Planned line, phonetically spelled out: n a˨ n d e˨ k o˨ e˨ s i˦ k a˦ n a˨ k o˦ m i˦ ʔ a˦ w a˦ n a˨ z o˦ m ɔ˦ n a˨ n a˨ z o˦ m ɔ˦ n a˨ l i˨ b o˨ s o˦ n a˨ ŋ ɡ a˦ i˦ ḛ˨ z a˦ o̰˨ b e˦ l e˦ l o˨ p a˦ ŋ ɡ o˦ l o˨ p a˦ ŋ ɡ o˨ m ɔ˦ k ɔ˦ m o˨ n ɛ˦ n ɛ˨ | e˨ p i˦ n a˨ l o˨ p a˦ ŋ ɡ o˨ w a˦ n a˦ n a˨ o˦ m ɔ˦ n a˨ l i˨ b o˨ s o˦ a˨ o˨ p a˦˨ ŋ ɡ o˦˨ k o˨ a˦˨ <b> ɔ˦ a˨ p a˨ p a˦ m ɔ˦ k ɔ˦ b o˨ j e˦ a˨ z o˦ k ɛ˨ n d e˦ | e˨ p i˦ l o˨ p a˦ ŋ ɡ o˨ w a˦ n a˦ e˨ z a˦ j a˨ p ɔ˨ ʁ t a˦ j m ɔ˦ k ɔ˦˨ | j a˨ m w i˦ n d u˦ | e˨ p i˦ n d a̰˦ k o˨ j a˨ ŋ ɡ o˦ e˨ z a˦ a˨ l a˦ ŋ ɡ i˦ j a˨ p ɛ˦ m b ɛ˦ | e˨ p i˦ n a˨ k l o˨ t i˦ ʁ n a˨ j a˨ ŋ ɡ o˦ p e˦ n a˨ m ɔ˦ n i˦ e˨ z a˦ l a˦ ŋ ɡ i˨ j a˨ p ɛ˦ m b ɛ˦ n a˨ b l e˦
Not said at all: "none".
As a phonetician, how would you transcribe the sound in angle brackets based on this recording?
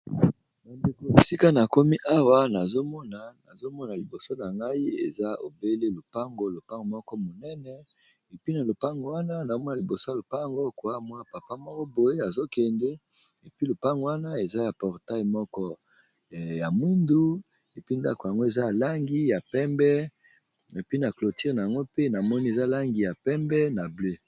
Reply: m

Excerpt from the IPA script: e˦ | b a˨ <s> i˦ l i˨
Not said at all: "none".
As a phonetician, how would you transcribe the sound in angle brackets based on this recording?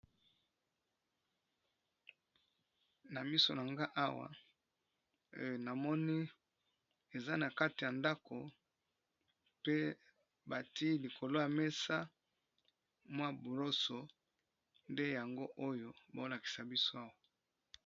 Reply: t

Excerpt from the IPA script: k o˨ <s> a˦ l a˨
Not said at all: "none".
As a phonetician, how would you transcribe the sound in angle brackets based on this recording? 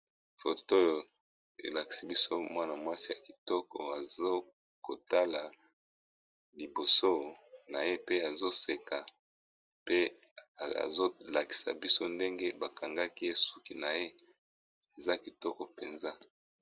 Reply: t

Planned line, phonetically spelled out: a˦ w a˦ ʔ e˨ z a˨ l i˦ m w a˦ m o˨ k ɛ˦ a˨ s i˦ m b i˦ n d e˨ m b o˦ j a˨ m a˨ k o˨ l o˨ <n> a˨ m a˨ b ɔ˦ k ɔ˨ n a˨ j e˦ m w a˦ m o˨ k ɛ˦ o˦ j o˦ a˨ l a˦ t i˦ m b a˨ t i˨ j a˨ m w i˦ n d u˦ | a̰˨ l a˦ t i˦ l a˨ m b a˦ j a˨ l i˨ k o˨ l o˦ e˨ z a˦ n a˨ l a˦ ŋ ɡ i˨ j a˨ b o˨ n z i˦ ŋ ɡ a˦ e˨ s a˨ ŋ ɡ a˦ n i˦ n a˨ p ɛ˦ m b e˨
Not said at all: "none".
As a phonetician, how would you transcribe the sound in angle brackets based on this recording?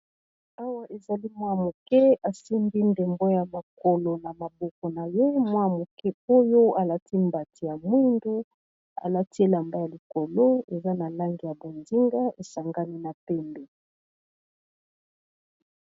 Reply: n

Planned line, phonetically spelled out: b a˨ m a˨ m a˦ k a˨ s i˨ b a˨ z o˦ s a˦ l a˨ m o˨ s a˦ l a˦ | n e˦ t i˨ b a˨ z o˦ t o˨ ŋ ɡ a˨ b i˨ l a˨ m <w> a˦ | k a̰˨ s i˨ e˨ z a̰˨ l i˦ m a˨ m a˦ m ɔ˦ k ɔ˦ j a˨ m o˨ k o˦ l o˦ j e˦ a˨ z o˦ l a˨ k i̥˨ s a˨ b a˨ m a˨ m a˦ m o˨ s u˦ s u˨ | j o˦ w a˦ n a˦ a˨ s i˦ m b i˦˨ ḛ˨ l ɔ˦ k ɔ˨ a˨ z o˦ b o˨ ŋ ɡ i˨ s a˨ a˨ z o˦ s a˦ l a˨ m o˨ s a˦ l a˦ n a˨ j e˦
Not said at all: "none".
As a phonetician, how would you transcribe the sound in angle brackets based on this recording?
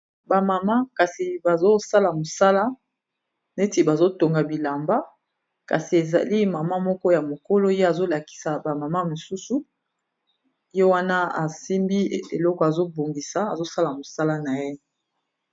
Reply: b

